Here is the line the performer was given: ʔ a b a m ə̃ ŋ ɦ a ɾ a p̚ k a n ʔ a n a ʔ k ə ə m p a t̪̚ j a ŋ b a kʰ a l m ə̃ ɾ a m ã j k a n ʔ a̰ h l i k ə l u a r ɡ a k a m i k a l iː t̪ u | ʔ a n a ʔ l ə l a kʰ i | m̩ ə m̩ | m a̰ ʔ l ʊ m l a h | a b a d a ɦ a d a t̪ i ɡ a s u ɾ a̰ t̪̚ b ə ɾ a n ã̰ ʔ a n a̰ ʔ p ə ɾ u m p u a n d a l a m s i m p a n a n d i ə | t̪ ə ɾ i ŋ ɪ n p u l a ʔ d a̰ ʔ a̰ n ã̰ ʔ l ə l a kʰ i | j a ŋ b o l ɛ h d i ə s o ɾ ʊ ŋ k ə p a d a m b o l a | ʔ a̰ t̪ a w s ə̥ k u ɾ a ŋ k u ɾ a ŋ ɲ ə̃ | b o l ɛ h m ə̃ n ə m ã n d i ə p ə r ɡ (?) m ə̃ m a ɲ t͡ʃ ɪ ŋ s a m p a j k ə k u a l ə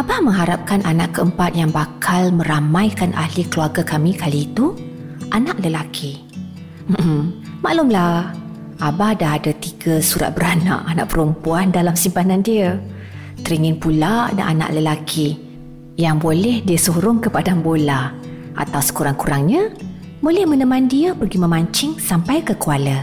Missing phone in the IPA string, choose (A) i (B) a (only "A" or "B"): A